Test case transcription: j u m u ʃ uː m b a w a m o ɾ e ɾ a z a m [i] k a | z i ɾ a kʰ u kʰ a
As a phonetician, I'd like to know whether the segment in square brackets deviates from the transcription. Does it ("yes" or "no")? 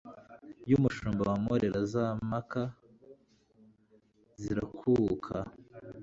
yes